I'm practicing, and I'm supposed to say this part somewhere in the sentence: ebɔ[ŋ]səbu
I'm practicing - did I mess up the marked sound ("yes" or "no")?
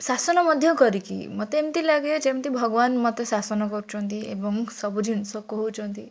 no